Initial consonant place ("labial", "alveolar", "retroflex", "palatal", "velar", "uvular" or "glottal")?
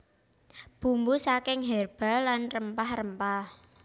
labial